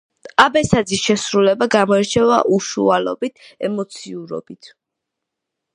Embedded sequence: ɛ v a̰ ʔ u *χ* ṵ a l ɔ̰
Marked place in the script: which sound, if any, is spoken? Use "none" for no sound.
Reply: ʃ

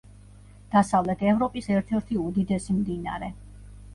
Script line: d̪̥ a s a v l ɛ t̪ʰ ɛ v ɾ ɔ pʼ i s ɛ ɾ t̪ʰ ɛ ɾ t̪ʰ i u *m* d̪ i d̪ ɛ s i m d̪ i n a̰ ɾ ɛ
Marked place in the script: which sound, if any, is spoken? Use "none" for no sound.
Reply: none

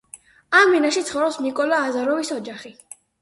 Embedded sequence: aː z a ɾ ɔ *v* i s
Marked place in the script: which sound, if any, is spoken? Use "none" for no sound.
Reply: v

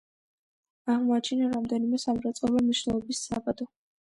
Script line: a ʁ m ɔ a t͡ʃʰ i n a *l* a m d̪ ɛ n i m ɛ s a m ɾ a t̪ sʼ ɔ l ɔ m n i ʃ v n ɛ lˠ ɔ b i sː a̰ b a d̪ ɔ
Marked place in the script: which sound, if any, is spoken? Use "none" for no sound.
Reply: ɾ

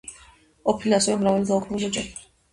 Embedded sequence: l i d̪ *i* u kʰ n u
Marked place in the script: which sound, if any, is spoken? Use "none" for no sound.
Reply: a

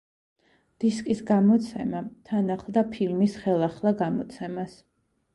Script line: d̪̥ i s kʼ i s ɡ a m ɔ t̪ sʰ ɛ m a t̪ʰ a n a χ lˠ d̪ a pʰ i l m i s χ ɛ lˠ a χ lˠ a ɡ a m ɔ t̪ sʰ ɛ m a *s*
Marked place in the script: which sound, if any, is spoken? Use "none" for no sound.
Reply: s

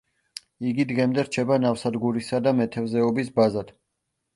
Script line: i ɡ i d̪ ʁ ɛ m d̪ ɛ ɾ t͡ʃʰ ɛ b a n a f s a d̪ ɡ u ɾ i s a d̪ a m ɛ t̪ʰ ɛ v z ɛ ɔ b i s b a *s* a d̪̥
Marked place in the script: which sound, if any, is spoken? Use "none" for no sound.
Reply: z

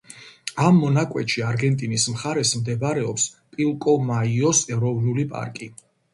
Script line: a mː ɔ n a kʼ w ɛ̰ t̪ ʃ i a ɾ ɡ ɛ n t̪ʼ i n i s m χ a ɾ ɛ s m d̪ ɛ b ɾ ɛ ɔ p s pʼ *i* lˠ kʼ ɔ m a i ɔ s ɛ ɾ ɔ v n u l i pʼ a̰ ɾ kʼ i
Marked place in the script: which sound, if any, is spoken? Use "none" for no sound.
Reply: i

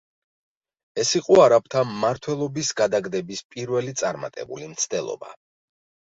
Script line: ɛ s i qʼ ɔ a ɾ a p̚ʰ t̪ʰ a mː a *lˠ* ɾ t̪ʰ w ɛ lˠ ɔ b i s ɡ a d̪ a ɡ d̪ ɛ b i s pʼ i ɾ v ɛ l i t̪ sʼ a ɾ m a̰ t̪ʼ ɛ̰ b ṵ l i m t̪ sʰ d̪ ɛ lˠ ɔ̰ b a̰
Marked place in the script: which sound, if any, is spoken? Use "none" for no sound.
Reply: none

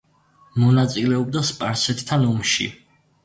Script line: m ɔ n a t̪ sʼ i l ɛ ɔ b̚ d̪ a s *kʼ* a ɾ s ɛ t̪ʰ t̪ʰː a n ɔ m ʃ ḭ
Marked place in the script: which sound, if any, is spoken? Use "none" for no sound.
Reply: pʼ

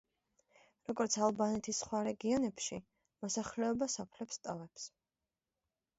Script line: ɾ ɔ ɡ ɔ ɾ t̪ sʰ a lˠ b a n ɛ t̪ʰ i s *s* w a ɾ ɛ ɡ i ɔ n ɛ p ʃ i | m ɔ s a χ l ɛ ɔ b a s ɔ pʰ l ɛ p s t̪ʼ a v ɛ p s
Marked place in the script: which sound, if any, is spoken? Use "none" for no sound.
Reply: χ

